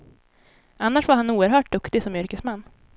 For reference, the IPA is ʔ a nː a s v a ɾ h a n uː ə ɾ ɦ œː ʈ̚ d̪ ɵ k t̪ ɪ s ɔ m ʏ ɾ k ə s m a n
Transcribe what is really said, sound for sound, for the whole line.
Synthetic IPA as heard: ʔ a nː a ʂ v a ɾ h a n uː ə ɾ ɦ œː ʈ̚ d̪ ɵ k t̪ ɪ s ɔ m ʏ ɾ k ə s m a nː